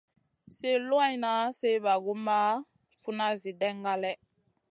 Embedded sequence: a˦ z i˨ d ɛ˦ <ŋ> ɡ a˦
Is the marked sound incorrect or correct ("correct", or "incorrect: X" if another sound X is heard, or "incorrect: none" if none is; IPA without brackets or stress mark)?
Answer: correct